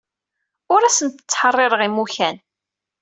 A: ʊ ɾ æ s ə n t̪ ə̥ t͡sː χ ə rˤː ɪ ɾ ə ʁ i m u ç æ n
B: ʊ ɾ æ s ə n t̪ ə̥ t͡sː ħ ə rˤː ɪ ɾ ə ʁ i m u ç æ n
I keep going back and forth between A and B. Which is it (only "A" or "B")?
B